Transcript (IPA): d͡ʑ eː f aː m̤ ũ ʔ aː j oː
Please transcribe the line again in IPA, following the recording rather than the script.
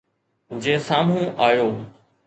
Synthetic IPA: d͡ʑ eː s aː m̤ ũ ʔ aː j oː

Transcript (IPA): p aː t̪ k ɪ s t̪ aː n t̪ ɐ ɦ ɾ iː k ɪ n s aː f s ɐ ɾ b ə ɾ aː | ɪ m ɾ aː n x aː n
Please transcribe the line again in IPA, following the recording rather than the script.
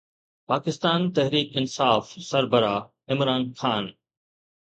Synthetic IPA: p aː k ɪ s t̪ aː n t̪ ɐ ɦ ɾ iː k ɪ n s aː f s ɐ ɾ b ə ɾ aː | ɪ m ɾ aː n x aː n

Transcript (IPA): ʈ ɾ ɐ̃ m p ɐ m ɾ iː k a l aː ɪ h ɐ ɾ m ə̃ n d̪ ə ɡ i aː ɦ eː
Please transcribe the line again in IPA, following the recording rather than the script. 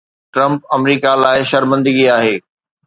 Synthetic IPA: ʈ ɾ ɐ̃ m p ɐ m ɾ iː k a l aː ɪ ʃ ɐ ɾ m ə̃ n d̪ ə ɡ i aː ɦ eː

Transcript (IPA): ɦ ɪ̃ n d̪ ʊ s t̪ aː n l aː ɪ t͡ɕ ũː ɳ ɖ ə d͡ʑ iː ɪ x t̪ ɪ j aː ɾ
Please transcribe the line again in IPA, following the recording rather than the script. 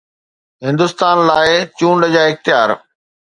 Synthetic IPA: ɦ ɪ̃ n d̪ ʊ s t̪ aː n l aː ɪ t͡ɕ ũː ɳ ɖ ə d͡ʑ aː ɪ x t̪ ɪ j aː ɾ

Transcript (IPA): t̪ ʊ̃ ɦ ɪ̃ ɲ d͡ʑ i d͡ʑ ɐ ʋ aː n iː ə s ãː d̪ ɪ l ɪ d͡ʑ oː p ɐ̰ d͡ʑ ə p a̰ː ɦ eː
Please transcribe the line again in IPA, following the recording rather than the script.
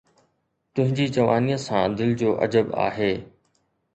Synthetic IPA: t̪ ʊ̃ ɦ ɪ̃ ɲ d͡ʑ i d͡ʑ ɐ ʋ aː n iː ə s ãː d̪ ɪ l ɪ d͡ʑ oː ʔ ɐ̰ d͡ʑ ə b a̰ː ɦ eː

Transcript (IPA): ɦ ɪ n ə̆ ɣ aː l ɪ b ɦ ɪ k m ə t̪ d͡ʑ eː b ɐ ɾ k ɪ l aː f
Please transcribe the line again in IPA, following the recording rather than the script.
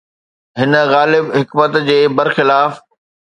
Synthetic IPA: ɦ ɪ n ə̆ ɣ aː l ɪ b ɦ ɪ k m ə t̪ d͡ʑ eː b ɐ ɾ x ɪ l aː f

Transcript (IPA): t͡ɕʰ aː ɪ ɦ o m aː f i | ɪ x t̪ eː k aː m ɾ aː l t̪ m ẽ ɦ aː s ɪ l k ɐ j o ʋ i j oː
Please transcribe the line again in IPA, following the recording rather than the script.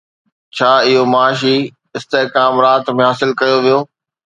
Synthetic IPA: t͡ɕʰ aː ɪ ɦ o m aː ʃ i | ɪ s t̪ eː k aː m ɾ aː t̪ m ẽ ɦ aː s ɪ l k ɐ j o ʋ i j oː

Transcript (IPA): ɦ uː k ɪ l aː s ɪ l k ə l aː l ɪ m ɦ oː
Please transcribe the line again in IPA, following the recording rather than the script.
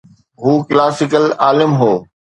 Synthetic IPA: ɦ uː k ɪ l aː s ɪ k ə l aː l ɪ m ɦ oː

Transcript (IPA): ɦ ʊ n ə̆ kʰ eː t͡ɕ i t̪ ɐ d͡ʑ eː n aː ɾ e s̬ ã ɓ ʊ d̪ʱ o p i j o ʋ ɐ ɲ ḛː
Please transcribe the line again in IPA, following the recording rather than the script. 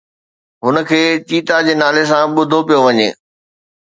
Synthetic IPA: ɦ ʊ n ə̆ kʰ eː t͡ɕ iː t̪ a d͡ʑ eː n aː l e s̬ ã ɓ ʊ d̪ʱ o p i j o ʋ ɐ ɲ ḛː

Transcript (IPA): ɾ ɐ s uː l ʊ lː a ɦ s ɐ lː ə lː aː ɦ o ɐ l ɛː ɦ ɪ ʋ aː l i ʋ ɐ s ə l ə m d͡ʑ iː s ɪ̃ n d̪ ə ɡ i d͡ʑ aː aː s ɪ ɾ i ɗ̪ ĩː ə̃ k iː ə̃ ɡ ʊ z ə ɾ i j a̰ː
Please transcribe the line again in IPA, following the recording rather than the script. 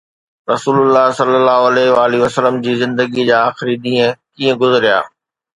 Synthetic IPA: ɾ ɐ s uː l ʊ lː a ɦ s ɐ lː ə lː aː ɦ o ɐ l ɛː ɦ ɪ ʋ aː l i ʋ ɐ s ə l ə m d͡ʑ iː z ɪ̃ n d̪ ə ɡ i d͡ʑ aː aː x ɪ ɾ i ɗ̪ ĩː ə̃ k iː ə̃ ɡ ʊ z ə ɾ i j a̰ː

